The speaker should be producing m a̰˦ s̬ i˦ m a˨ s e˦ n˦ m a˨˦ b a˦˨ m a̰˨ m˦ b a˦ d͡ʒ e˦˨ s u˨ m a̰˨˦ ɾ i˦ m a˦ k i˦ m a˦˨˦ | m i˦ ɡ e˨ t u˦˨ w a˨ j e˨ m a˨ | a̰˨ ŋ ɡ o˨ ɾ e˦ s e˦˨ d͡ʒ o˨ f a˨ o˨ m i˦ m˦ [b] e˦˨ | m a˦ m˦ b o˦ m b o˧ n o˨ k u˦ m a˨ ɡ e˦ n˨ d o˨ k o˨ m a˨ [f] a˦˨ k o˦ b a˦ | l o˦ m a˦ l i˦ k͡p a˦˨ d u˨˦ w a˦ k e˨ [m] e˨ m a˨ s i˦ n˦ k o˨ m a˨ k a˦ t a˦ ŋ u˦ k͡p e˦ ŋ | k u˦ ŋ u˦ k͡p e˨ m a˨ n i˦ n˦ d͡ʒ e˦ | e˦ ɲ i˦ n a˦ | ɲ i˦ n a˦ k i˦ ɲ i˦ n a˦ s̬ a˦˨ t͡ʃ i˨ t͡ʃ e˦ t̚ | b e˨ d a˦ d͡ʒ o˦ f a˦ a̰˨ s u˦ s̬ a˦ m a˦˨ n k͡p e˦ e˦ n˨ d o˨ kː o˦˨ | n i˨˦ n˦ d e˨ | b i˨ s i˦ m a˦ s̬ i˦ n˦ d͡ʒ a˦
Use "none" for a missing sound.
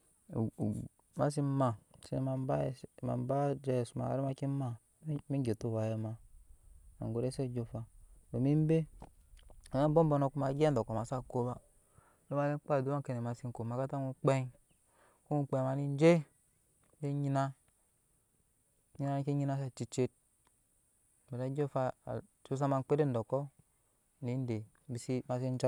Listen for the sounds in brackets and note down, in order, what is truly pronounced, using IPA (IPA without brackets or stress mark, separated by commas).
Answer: b, s, n